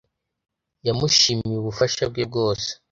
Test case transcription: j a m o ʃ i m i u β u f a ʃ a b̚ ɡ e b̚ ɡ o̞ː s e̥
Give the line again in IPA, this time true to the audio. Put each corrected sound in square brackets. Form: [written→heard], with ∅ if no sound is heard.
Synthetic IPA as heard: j a m [o→u] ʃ i m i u β u f a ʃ a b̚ ɡ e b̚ ɡ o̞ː s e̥